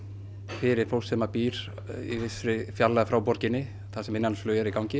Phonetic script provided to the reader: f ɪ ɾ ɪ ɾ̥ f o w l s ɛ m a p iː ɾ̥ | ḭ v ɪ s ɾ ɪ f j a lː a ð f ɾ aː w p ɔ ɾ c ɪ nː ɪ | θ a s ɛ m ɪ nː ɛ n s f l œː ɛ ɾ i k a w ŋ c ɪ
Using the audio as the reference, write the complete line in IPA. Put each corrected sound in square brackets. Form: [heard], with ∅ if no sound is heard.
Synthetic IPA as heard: f ɪ ɾ ɪ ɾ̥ f o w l s ɛ m a p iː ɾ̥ | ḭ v ɪ s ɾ ɪ f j a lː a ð f ɾ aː w p ɔ ɾ c ɪ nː ɪ | θ a s ɛ m ɪ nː [a] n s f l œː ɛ ɾ i k a w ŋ c ɪ